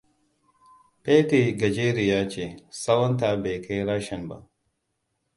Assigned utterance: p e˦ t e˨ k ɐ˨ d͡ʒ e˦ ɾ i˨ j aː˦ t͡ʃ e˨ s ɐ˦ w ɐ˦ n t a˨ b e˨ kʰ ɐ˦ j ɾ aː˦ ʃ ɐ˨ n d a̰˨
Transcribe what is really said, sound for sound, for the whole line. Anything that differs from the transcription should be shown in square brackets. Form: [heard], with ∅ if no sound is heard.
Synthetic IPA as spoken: p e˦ t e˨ [ɡ] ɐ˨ d͡ʒ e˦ ɾ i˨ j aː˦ t͡ʃ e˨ s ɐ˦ w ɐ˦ n t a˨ b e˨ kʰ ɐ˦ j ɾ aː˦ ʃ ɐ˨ n [b] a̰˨